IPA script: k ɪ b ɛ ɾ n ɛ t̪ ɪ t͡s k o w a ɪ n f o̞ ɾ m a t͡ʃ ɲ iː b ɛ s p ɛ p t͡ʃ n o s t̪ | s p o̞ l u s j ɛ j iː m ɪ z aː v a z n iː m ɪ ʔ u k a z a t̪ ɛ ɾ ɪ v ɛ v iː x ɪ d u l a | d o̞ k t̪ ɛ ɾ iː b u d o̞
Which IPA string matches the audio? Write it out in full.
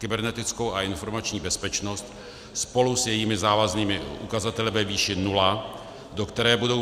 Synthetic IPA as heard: k ɪ b ɛ ɾ n ɛ t̪ ɪ t͡s k o w a ɪ n f o̞ ɾ m a t͡ʃ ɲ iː b ɛ s p ɛ t͡ʃ n o s t̪ | s p o̞ l u s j ɛ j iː m ɪ z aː v a z n iː m ɪ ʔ u k a z a t̪ ɛ l ɪ v ɛ v iː ʃ ɪ n u l a | d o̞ k t̪ ɛ ɾ ɛː b u d o̞